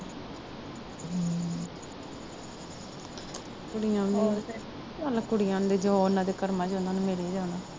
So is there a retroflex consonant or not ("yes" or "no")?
yes